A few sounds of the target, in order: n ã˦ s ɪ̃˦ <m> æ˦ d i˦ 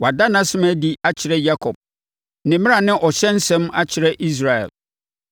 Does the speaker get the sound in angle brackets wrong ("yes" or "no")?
no